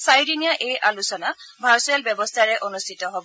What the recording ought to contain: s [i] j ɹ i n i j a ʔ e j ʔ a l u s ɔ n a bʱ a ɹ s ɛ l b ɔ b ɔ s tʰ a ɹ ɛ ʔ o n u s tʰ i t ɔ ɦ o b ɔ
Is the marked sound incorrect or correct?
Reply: incorrect